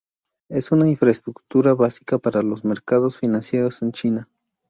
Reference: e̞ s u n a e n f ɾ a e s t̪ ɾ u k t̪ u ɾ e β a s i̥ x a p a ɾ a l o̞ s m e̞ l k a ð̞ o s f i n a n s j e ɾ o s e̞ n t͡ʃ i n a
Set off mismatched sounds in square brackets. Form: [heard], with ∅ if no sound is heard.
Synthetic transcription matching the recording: e̞ s u n a [i] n f ɾ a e s t̪ ɾ u k t̪ u ɾ [a] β a s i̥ [k] a p a ɾ a l o̞ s m e̞ [ɾ] k a ð̞ o s f i n a n s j e ɾ o s e̞ n t͡ʃ i n a